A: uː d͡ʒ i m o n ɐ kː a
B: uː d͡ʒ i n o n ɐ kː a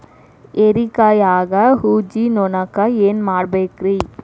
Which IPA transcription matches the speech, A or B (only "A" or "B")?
B